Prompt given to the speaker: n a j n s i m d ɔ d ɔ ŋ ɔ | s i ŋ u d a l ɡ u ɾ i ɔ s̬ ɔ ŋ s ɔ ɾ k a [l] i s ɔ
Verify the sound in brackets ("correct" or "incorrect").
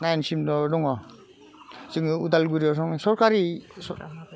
incorrect